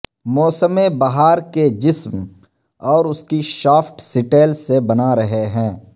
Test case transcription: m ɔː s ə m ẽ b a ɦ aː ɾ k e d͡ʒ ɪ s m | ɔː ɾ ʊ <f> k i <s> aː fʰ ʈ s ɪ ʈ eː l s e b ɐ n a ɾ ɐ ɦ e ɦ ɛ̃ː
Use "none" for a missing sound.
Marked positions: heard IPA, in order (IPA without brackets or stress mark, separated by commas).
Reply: s, ʃ